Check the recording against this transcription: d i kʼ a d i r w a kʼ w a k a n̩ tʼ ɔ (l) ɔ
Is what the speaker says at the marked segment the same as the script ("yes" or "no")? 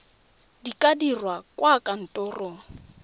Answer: no